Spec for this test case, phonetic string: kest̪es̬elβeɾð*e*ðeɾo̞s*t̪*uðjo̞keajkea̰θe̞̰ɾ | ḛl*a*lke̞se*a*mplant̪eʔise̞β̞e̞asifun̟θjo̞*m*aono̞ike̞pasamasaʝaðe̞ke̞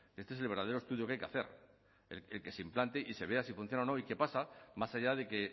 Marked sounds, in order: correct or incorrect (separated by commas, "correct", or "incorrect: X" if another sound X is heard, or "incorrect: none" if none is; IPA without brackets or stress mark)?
incorrect: a, correct, incorrect: e, incorrect: i, incorrect: n